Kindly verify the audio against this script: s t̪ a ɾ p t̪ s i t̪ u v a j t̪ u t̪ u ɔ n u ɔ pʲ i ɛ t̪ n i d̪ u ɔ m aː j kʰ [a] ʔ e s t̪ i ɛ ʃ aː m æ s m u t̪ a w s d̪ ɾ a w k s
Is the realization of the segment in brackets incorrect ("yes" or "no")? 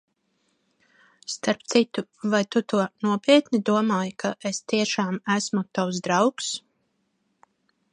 no